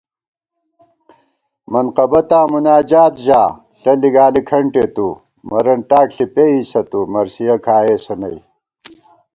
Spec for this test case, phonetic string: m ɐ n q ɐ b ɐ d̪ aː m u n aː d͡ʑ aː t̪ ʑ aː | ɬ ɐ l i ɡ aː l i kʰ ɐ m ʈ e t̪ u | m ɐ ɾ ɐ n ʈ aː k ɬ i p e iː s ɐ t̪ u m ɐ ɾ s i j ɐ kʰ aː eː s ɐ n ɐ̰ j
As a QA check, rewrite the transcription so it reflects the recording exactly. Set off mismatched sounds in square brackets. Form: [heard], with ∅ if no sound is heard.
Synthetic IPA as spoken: m ɐ n q ɐ b ɐ [t̪] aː m u n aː d͡ʑ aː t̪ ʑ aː | ɬ ɐ l i ɡ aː l i kʰ ɐ [ɳ] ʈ e t̪ u | m ɐ ɾ ɐ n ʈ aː k ɬ i p e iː s ɐ t̪ u m ɐ ɾ s i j ɐ kʰ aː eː s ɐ n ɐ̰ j